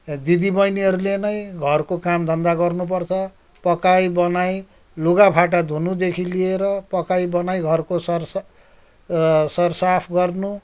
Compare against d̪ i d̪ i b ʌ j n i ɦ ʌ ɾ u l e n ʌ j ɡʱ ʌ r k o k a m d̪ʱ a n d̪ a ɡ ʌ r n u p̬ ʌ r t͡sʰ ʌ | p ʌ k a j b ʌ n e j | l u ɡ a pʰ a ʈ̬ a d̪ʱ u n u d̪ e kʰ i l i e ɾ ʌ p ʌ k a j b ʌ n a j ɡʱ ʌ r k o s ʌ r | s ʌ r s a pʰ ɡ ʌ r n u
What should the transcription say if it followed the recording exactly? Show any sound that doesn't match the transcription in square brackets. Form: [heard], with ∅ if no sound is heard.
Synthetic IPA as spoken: d̪ i d̪ i b ʌ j n i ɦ ʌ ɾ u l e n ʌ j ɡʱ ʌ r k o k a m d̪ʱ [ʌ] n d̪ a ɡ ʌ r n u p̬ ʌ r t͡sʰ ʌ | p ʌ k a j b ʌ n [a] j | l u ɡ a pʰ a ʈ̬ a d̪ʱ u n u d̪ e kʰ i l i e ɾ ʌ p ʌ k a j b ʌ n a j ɡʱ ʌ r k o s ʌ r | s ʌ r s a pʰ ɡ ʌ r n u